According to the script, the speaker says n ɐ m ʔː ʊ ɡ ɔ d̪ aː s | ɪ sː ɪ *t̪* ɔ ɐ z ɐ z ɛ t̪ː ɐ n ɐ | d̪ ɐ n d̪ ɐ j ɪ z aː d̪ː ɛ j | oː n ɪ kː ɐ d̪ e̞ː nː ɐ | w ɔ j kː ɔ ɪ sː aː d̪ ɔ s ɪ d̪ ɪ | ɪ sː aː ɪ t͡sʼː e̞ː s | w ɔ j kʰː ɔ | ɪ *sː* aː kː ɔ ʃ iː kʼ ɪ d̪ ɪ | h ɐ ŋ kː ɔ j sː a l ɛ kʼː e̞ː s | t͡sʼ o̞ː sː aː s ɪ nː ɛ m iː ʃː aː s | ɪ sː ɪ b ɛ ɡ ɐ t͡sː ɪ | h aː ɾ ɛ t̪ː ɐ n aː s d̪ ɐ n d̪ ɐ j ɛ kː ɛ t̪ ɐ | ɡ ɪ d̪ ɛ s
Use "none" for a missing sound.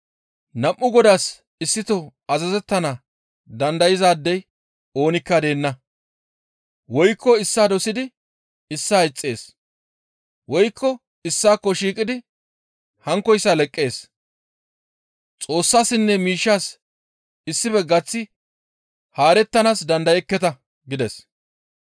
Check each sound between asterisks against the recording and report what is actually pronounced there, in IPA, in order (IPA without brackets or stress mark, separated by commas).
t̪, sː